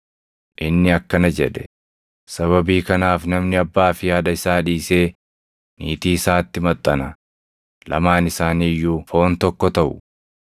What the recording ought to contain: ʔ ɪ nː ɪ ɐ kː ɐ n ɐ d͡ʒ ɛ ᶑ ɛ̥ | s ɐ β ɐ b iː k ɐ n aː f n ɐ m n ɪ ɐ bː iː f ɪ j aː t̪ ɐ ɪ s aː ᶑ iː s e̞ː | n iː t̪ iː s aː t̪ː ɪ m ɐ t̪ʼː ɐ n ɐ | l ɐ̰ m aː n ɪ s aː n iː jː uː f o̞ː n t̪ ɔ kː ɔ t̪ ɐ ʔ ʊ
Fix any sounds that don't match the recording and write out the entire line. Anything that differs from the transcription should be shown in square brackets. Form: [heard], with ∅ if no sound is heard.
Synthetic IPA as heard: ʔ ɪ nː ɪ ɐ kː ɐ n ɐ d͡ʒ ɛ ᶑ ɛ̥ | s ɐ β ɐ b iː k ɐ n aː f n ɐ m n ɪ ɐ bː [aː] f ɪ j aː [d̪] ɐ ɪ s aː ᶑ iː s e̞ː | n iː t̪ iː s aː t̪ː ɪ m ɐ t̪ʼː ɐ n ɐ | l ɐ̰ m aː n ɪ s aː n iː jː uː f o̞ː n t̪ ɔ kː ɔ t̪ ɐ ʔ ʊ